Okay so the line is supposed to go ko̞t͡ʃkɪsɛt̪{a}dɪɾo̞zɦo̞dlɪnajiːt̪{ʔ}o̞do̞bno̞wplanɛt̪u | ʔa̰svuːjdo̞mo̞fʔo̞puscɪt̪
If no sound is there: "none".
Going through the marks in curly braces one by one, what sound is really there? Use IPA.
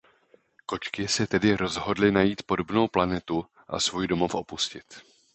ɛ, p

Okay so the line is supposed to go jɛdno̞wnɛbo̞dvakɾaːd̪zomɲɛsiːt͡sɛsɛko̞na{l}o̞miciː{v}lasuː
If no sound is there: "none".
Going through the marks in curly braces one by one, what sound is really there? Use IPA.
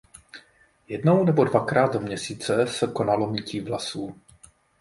l, v

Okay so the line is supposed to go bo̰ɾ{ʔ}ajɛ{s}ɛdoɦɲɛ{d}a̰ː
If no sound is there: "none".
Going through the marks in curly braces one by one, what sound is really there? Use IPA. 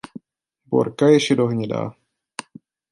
k, ʃ, d

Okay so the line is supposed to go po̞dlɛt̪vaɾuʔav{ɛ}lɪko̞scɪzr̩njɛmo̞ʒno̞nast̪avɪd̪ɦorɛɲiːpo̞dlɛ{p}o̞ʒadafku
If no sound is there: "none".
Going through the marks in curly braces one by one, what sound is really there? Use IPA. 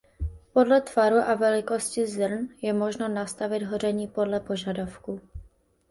ɛ, p

